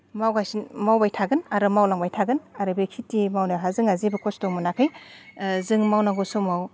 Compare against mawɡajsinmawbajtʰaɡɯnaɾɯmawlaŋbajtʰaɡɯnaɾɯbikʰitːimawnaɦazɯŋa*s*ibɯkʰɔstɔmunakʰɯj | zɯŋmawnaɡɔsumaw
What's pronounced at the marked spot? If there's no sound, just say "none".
z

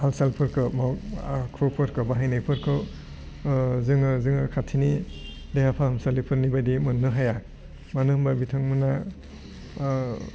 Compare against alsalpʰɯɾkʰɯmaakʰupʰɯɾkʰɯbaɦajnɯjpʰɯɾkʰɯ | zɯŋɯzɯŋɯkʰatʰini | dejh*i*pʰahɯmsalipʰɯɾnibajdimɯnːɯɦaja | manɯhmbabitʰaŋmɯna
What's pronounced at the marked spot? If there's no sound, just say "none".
a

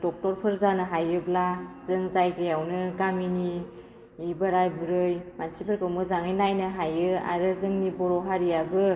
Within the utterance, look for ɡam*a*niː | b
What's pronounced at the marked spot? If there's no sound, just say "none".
i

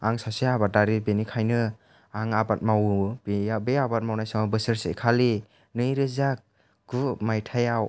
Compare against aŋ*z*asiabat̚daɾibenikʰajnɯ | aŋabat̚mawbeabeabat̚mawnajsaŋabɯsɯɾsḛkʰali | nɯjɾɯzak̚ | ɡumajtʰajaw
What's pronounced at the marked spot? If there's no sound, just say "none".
s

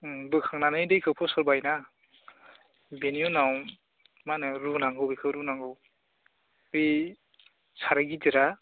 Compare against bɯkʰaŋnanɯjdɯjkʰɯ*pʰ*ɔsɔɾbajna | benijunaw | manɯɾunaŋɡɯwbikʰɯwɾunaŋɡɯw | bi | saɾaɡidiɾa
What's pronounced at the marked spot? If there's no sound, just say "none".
pʰ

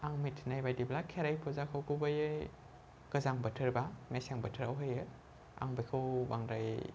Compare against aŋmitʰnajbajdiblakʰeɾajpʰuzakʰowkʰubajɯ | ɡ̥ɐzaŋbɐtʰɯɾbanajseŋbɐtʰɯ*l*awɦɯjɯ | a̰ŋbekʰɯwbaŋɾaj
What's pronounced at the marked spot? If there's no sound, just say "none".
ɾ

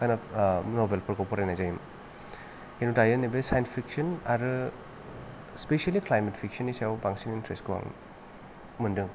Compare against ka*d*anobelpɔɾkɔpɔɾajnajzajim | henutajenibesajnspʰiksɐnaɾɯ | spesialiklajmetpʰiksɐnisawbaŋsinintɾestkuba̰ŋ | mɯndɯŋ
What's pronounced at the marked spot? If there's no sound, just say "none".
n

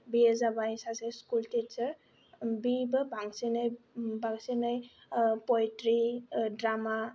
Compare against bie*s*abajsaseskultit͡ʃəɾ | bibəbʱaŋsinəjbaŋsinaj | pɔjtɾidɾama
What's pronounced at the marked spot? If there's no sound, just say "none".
z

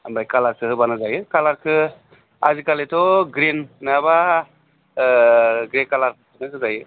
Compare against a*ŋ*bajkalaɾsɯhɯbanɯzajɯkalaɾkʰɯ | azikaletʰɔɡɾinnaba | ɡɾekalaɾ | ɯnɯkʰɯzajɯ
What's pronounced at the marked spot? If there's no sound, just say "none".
m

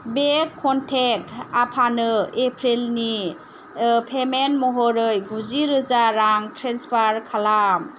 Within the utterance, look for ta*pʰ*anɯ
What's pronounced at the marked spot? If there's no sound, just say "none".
pʰ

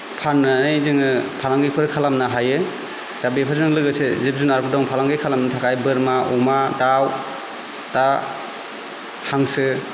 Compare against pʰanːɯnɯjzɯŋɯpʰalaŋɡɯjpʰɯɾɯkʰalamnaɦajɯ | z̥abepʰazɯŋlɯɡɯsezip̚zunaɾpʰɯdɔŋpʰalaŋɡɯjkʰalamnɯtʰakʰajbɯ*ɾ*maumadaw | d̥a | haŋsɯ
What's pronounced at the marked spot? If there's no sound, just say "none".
ɾ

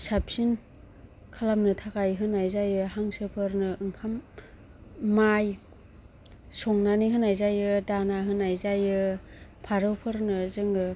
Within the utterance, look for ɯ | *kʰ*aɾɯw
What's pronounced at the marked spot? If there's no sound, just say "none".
pʰ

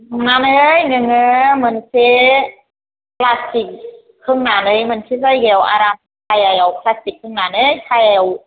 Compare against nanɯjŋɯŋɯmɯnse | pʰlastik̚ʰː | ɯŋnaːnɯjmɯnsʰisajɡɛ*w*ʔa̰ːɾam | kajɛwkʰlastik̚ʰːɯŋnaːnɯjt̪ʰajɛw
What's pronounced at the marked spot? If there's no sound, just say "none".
w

